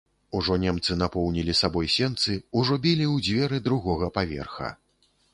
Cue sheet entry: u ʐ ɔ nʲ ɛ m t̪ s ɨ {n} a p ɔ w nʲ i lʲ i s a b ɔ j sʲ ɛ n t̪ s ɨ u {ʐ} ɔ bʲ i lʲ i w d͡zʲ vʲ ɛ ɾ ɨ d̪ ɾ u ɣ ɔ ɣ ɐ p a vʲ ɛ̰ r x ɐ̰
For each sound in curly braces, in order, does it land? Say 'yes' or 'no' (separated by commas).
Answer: yes, yes